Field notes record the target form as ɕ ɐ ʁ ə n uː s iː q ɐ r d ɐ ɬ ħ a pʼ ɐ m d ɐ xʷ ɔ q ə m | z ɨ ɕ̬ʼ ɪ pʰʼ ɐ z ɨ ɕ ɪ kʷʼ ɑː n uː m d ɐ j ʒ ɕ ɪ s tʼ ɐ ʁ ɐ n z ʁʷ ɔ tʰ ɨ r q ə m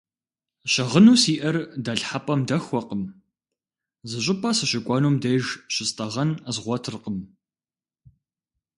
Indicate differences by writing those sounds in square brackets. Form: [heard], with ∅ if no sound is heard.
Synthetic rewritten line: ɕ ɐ ʁ ə n uː s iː [ʔ] ɐ r d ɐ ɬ ħ a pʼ ɐ m d ɐ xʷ ɔ q ə m | z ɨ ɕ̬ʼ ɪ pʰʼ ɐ [s] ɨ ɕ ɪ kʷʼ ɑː n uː m d ɐ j ʒ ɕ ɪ s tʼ ɐ ʁ ɐ n z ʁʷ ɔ tʰ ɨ r q ə m